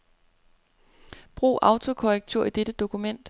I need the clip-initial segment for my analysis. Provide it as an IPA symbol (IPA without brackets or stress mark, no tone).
b̥